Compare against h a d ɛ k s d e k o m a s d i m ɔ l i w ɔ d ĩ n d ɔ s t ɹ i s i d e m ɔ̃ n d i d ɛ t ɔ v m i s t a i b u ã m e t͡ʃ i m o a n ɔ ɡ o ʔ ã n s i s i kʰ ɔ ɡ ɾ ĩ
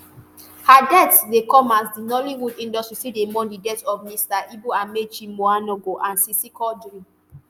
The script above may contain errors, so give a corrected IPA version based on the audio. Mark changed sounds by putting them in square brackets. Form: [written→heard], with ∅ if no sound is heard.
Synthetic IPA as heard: h a d ɛ [k→t] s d e k [o→ɔ] m a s d i [m→n] ɔ l i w [ɔ→u] d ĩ n d ɔ s t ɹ i s i d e m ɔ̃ n d i d ɛ t ɔ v m i s t a i b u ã m e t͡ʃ i m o a n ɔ ɡ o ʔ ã n s i s i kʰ ɔ [ɡ→d] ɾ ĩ